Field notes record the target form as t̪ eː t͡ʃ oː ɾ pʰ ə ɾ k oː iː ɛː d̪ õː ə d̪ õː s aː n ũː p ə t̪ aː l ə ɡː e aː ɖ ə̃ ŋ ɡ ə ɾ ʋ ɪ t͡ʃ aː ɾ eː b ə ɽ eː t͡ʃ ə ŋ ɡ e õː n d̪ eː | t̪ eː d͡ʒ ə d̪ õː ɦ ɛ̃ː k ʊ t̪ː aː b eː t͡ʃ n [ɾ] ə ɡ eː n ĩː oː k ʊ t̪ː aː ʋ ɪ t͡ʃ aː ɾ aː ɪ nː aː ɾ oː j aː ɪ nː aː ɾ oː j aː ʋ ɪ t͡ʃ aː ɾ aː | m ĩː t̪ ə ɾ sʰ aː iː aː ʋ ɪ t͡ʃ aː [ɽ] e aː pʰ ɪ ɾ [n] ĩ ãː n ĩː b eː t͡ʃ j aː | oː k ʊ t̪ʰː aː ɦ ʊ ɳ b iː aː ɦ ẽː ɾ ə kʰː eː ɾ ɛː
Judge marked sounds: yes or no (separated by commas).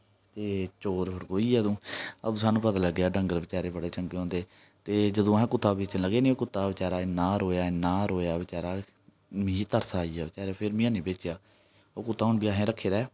no, no, no